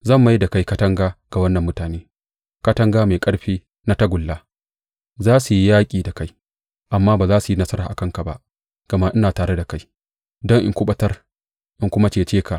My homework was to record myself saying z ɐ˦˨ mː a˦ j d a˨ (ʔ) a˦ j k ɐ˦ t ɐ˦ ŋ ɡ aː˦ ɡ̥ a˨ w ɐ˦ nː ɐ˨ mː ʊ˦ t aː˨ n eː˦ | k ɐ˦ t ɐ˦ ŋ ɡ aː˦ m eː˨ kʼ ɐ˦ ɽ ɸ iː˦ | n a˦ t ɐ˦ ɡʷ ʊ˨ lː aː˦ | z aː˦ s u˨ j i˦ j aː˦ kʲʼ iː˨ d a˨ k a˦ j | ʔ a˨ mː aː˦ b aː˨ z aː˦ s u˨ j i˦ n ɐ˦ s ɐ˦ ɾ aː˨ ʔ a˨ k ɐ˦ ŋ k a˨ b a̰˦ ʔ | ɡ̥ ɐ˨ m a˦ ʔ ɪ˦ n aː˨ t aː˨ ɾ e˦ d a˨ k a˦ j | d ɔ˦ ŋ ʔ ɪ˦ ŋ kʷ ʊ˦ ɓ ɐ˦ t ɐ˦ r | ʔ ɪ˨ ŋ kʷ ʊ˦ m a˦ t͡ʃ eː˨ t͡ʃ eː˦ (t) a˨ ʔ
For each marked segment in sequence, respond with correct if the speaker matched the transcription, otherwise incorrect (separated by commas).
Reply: incorrect, incorrect